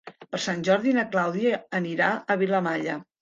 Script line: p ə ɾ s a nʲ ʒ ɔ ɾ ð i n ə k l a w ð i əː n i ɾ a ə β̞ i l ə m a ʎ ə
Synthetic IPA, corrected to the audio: p ə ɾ s a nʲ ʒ ɔ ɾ ð i n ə k l a w ð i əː n i ɾ a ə β̞ i l ə m a ʎ ə